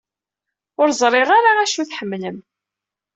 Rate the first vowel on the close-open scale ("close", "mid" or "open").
close